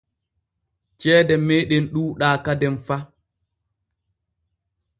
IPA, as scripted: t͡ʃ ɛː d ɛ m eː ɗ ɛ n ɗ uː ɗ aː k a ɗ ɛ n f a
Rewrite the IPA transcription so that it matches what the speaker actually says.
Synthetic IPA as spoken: t͡ʃ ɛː d ɛ m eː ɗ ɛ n ɗ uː ɗ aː k a d ɛ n f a